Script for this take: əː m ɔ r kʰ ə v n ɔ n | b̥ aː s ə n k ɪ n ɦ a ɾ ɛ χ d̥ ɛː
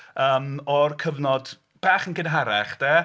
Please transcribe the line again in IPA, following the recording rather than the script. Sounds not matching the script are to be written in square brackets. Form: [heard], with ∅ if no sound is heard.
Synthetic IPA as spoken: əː m ɔ r kʰ ə v n ɔ [d] | b̥ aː [χ] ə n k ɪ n ɦ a ɾ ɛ χ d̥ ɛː